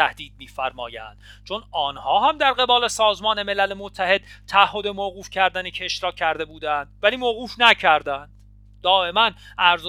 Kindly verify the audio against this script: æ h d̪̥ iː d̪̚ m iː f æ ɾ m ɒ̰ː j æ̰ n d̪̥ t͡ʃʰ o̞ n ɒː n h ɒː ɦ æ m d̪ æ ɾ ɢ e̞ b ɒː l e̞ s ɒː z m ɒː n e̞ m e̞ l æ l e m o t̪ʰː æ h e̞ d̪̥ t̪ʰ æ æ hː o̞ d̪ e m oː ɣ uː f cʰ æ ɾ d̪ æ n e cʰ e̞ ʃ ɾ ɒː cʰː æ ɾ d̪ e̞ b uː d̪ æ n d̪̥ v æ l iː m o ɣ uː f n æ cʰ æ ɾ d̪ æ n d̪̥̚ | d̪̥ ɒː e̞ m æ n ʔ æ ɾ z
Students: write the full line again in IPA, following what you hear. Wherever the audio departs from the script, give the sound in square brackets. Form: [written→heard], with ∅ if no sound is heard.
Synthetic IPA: æ h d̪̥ iː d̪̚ m iː f æ ɾ m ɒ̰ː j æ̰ n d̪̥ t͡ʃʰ o̞ n ɒː n h ɒː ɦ æ m d̪ æ ɾ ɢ e̞ b ɒː l e̞ s ɒː z m ɒː n e̞ m e̞ l æ l e m o t̪ʰː æ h e̞ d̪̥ t̪ʰ æ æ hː o̞ d̪ e m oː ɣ uː f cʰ æ ɾ d̪ æ n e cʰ e̞ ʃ ɾ ɒː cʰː æ ɾ d̪ e̞ b uː d̪ æ n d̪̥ v æ l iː m o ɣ uː f n æ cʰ æ ɾ d̪ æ n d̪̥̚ | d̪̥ ɒː e̞ m æ n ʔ æ ɾ z